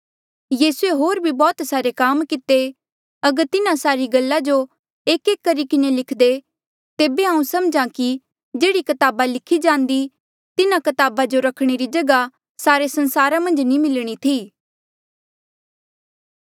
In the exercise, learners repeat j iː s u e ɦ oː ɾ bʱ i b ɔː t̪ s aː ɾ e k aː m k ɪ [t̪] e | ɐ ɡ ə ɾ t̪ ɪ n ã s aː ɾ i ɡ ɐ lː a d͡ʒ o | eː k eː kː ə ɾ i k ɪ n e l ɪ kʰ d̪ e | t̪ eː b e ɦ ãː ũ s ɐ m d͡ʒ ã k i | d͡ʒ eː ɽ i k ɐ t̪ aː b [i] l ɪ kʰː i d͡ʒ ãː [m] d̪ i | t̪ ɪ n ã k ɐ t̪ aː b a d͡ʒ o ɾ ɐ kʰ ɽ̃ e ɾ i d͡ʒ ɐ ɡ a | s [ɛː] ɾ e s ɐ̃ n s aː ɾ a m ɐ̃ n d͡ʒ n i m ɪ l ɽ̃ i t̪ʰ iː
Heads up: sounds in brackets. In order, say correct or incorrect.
correct, incorrect: a, incorrect: n, incorrect: aː

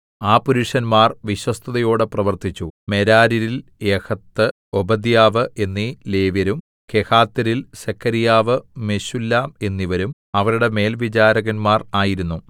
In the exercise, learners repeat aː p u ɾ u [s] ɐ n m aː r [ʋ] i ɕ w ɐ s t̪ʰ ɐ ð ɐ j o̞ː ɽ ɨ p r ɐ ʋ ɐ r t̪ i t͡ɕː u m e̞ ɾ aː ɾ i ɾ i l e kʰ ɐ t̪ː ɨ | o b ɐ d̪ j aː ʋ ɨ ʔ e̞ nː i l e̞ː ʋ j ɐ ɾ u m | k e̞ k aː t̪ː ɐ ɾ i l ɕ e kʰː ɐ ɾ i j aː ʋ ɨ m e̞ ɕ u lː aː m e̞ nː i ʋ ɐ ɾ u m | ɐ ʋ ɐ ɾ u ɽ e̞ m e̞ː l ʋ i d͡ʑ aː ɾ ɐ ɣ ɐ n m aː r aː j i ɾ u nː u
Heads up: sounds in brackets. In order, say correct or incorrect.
incorrect: ʂ, correct

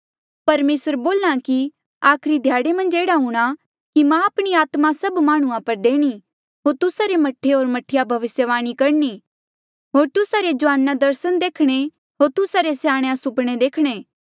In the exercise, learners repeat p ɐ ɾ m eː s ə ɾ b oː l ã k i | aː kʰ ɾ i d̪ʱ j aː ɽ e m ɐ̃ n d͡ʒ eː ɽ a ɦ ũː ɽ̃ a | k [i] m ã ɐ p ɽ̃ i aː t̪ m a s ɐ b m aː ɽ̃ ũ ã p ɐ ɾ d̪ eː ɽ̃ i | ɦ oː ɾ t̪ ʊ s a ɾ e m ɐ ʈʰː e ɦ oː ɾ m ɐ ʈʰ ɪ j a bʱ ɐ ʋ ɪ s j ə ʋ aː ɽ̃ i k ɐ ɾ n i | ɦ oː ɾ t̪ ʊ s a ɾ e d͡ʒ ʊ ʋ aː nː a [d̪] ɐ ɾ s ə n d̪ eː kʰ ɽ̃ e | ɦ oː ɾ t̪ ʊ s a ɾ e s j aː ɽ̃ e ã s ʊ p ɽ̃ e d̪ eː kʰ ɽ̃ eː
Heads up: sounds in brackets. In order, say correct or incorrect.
correct, correct

